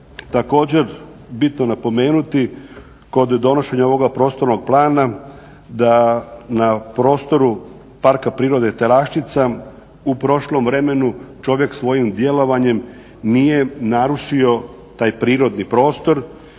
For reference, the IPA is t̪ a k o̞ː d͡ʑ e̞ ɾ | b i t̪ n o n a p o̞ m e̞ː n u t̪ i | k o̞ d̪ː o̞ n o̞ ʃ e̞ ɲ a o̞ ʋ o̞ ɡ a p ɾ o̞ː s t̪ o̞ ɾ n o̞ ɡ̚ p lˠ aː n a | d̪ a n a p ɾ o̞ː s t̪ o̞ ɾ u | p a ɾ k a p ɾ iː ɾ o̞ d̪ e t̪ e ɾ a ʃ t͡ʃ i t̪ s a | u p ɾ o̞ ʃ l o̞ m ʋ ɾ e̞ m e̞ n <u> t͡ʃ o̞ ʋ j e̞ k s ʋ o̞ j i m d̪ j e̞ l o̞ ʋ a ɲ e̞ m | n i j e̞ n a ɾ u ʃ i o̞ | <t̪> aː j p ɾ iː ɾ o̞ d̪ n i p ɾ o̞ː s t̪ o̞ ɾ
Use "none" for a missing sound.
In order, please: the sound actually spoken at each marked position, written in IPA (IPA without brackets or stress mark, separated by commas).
u, t̪